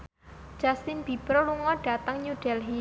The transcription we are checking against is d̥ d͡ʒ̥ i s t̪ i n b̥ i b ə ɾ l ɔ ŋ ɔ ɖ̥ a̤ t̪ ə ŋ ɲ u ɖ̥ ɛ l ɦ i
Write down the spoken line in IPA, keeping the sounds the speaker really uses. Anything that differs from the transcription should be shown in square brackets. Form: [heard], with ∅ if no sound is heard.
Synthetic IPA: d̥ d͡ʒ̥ [a] s t̪ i n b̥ i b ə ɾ l [u] ŋ ɔ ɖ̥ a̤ t̪ ə ŋ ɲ u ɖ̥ ɛ l ɦ i